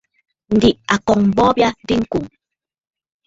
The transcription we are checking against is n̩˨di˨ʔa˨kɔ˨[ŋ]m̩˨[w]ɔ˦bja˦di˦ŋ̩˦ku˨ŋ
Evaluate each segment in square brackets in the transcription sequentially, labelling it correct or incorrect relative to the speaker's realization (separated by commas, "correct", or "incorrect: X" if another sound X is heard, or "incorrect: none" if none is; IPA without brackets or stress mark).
correct, incorrect: b